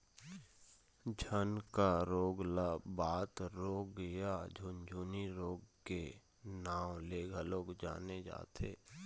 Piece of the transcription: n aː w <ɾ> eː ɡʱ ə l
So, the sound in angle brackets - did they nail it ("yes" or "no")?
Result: no